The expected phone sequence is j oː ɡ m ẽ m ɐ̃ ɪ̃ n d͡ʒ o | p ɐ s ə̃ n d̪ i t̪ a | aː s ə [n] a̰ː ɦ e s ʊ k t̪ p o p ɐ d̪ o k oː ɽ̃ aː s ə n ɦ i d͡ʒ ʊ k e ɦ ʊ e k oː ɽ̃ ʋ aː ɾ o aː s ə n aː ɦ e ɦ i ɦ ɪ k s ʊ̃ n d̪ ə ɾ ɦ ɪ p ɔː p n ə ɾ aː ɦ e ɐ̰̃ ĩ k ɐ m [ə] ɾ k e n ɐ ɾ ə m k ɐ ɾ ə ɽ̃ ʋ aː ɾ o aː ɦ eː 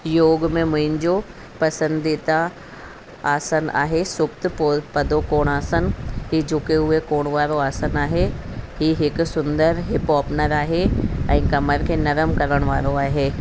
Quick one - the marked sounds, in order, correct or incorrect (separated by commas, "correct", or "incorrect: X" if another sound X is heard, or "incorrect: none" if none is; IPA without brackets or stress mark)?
correct, correct